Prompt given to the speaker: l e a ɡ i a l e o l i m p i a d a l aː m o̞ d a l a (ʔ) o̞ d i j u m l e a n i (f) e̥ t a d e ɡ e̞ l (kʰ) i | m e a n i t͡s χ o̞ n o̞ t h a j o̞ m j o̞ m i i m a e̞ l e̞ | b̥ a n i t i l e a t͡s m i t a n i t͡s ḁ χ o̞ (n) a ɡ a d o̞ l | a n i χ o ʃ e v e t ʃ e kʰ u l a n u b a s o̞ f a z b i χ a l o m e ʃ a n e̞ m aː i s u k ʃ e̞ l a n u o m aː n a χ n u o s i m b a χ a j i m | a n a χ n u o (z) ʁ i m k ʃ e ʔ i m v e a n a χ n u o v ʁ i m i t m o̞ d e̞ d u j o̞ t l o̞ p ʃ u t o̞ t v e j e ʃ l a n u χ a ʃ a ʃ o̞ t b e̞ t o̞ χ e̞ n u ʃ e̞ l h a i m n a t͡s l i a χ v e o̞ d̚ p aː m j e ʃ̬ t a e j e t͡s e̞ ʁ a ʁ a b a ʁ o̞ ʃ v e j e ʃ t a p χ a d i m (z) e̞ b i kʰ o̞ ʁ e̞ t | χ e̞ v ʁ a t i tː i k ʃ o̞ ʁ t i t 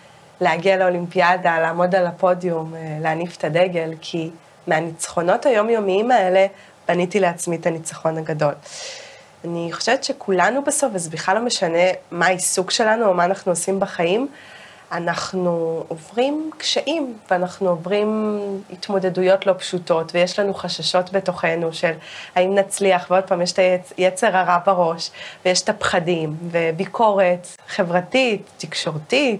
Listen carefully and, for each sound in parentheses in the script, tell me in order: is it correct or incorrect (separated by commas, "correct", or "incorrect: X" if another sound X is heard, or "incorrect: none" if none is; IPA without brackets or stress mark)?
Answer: incorrect: p, correct, correct, correct, incorrect: v, incorrect: v